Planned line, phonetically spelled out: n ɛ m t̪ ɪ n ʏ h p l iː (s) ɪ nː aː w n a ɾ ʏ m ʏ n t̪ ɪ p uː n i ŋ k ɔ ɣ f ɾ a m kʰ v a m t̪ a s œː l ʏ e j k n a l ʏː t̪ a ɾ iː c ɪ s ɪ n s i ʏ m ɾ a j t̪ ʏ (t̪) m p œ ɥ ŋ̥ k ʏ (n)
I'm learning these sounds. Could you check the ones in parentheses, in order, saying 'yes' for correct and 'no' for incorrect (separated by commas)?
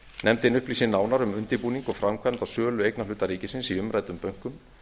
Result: yes, no, no